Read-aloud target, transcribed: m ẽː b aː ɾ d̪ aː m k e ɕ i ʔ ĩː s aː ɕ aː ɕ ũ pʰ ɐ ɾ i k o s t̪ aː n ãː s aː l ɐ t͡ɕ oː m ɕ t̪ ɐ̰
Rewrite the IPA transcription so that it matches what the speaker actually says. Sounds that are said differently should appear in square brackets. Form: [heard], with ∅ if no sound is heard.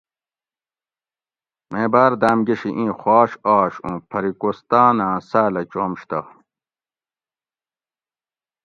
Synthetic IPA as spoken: m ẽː b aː ɾ d̪ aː m [ɡ] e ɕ i ʔ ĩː [x] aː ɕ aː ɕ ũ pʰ ɐ ɾ i k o s t̪ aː n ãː s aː l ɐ t͡ɕ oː m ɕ t̪ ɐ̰